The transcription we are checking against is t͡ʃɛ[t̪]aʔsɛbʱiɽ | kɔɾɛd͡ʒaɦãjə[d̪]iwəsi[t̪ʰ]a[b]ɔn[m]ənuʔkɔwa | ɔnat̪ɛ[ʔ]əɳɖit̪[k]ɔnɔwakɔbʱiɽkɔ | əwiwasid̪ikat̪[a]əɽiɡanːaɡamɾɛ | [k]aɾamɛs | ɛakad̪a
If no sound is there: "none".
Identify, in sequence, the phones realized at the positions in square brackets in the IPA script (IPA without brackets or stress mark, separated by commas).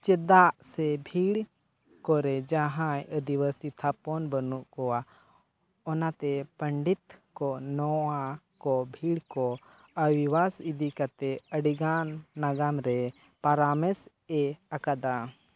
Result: d̪, d̪, t̪ʰ, p, b, p, k, ɛ, p